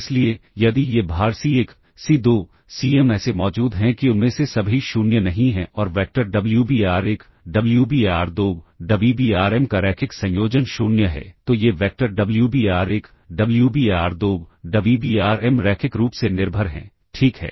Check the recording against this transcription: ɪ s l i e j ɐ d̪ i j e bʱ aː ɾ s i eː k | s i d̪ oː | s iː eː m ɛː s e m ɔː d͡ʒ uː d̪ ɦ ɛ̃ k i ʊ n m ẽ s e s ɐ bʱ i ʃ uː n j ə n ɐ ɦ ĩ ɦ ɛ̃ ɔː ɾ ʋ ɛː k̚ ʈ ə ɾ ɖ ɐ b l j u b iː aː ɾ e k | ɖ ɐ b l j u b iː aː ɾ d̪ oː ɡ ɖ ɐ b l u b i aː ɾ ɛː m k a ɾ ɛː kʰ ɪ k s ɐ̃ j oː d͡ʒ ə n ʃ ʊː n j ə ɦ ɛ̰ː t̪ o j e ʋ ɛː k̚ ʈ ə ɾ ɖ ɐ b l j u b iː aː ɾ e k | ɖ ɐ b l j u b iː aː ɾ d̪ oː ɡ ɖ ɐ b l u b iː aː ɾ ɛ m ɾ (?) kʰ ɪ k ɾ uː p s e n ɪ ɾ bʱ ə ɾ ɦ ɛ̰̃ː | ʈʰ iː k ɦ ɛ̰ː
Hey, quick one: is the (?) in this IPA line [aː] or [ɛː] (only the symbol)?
ɛː